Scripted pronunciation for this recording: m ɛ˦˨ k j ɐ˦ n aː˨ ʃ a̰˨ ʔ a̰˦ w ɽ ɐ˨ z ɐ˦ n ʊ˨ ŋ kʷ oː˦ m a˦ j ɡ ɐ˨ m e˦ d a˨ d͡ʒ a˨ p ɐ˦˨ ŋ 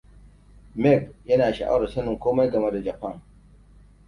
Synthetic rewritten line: m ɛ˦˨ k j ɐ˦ n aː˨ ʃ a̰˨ ʔ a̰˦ w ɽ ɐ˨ s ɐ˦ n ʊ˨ ŋ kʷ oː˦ m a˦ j ɡ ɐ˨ m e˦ d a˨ d͡ʒ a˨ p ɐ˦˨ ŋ